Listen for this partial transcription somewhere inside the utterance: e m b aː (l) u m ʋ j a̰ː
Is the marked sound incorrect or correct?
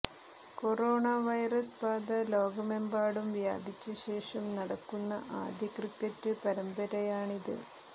incorrect